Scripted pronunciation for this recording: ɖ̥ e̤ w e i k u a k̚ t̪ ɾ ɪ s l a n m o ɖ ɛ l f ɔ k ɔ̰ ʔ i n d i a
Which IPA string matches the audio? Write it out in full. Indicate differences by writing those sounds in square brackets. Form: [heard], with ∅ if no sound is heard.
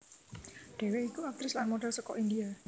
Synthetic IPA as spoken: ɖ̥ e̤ w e i k u a k̚ t̪ ɾ ɪ s l a n m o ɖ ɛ l [s] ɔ k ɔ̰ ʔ i n d i a